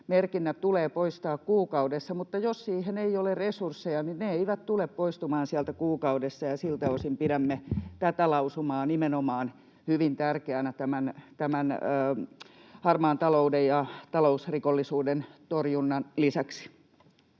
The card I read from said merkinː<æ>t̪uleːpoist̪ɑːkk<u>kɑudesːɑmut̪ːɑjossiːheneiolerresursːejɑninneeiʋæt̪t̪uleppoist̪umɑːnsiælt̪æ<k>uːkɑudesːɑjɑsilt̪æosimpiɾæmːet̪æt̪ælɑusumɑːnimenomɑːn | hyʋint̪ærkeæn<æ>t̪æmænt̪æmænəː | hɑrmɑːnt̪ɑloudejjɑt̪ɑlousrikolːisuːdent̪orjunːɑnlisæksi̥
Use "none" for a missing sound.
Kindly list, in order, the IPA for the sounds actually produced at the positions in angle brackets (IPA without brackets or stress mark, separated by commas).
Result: æ, uː, k, æ